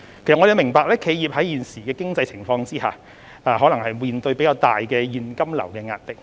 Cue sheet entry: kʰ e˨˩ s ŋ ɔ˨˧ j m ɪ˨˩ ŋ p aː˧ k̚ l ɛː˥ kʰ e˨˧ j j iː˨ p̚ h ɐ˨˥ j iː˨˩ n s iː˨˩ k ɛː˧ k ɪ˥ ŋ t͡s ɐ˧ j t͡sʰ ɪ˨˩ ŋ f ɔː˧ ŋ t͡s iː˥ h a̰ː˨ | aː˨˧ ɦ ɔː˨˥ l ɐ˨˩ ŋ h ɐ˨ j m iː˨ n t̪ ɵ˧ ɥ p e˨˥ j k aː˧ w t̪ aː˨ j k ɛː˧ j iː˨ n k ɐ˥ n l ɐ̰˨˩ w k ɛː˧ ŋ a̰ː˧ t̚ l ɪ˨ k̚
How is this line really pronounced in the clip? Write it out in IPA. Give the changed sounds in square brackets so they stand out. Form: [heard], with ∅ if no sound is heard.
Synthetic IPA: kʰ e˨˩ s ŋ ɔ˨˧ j m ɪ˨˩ ŋ p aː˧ k̚ l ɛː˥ kʰ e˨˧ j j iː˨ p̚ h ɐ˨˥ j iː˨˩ n s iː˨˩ k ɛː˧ k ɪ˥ ŋ t͡s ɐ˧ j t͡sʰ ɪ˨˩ ŋ f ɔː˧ ŋ t͡s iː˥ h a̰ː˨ | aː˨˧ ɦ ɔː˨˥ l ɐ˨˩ ŋ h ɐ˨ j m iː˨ n t̪ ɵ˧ ɥ p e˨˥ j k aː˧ w t̪ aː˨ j k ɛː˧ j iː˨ n k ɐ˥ [m] l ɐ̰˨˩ w k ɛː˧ ŋ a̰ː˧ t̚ l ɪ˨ k̚